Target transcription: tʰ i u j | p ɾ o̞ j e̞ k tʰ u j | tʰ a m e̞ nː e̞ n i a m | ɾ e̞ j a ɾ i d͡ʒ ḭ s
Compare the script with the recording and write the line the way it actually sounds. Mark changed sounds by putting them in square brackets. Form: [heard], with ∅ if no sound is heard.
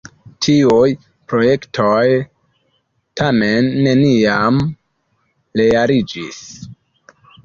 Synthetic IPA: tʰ i u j | p ɾ o̞ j e̞ k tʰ [o] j | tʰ a m e̞ nː e̞ n i a m | [l] e̞ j a ɾ i d͡ʒ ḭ s